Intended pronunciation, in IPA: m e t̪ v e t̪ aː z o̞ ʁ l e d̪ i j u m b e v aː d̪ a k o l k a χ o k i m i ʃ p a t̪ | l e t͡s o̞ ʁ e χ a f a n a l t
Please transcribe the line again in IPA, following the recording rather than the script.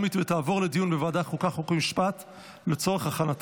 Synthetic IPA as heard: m i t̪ v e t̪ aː v o̞ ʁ l e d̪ i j u n b e v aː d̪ a k o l k a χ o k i m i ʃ p a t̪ | l e t͡s o̞ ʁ e χ a χ a n a t